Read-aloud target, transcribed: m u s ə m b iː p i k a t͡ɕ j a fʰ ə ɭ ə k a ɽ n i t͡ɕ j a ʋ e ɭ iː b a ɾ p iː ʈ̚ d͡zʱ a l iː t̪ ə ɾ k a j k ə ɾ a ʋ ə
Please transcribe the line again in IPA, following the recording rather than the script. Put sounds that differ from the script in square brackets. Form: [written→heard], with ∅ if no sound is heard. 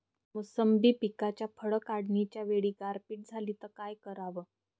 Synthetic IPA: m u s ə m b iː p i k a t͡ɕ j a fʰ ə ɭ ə k a ɽ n i t͡ɕ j a ʋ e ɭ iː [b→ɡ] a ɾ p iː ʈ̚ d͡zʱ a l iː t̪ ə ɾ k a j k ə ɾ a ʋ ə